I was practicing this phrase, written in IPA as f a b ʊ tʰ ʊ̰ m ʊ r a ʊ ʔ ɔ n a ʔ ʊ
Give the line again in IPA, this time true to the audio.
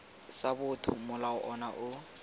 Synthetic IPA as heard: s a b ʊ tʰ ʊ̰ m ʊ l a ʊ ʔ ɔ n a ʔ ʊ